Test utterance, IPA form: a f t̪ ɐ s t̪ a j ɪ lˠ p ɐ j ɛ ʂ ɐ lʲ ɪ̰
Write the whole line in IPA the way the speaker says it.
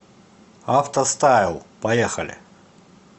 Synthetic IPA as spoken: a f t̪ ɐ s t̪ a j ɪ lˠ p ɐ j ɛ x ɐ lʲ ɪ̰